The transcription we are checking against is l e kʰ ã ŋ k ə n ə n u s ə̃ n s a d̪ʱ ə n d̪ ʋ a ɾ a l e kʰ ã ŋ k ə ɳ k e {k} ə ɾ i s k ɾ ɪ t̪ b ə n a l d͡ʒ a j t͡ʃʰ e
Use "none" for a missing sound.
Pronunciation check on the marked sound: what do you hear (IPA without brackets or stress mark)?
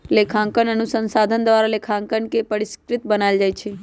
p